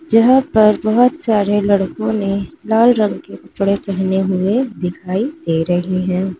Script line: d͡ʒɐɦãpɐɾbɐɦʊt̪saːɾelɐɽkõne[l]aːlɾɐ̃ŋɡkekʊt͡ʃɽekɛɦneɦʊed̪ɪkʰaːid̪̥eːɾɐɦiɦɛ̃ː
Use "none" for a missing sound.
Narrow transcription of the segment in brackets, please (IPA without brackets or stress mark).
l